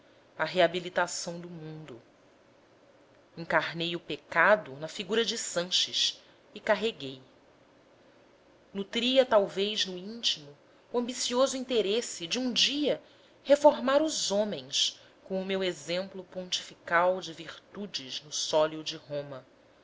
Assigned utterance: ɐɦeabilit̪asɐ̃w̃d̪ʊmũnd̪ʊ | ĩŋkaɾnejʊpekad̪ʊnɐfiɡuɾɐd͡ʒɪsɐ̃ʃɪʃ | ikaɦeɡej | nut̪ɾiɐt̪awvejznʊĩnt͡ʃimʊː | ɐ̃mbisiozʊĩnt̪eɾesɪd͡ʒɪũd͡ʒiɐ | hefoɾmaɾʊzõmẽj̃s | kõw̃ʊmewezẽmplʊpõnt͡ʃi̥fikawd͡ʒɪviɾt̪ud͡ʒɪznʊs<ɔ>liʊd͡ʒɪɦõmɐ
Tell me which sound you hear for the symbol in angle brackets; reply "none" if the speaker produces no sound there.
ɔ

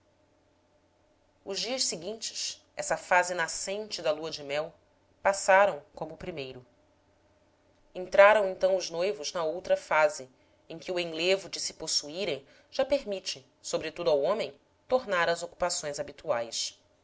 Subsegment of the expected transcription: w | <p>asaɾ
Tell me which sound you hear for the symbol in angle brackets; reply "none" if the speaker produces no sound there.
p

